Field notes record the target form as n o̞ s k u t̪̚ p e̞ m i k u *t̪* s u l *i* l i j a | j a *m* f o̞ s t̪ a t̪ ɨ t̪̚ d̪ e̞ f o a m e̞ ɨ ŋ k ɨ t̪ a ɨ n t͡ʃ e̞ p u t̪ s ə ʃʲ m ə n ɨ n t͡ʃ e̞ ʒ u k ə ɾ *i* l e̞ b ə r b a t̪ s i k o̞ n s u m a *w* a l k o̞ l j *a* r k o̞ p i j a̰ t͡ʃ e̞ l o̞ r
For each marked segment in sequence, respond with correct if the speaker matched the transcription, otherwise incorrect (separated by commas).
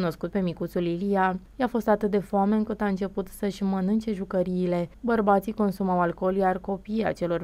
correct, correct, incorrect, incorrect, correct, correct